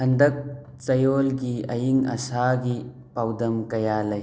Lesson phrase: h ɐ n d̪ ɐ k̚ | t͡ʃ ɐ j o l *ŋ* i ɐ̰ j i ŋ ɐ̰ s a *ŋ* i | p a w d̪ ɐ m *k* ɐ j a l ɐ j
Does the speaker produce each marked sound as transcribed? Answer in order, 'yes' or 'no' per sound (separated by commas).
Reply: no, no, yes